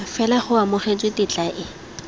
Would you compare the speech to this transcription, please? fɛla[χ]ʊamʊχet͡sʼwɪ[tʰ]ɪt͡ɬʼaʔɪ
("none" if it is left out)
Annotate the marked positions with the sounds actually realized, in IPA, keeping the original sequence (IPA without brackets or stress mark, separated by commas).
χ, t